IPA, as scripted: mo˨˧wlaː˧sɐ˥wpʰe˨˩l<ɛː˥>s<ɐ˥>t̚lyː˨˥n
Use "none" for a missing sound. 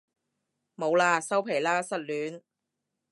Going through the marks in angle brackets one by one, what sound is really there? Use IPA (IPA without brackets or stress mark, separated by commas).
aː˥, ɐ˥